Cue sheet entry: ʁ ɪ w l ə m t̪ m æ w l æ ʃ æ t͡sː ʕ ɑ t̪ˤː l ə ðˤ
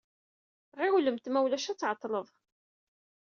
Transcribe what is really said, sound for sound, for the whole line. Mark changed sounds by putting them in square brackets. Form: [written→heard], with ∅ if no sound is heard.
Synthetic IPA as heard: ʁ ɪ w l ə m t̪ m æ w l æ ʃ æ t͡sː ʕ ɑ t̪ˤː l ə ðˤ